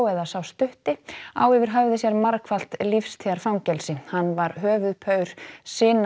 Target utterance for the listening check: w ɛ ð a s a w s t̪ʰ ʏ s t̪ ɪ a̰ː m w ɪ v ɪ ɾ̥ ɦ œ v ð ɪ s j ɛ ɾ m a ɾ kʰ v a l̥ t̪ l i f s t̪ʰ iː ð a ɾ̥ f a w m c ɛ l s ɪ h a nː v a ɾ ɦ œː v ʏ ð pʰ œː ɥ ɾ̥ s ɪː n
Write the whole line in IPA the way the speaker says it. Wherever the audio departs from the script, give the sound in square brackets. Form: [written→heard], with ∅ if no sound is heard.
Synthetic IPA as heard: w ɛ ð a s a w s [t̪ʰ→t̪] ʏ [s→h] t̪ ɪ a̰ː [m→∅] w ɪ v ɪ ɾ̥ ɦ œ v ð ɪ s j ɛ ɾ m a ɾ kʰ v a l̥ t̪ l i f s t̪ʰ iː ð a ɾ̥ f a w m c ɛ l s ɪ h a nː v a ɾ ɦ œː v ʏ ð pʰ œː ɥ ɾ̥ s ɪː n